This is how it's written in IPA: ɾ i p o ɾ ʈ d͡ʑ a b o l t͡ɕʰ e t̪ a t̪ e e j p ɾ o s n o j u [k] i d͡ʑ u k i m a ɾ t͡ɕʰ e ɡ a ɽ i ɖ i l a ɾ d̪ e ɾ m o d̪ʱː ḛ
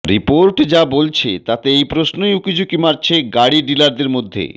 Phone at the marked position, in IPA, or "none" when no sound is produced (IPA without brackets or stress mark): k